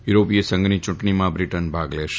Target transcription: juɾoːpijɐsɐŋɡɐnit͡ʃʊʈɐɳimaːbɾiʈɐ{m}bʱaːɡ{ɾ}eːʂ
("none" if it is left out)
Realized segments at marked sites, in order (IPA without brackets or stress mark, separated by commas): n, l